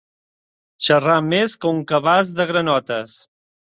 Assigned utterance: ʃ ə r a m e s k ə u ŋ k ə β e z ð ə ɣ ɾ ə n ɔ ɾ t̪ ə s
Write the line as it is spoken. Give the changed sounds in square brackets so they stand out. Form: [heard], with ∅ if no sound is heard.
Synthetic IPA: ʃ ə r a m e s k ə u ŋ k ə β [a] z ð ə ɣ ɾ ə n ɔ [∅] t̪ ə s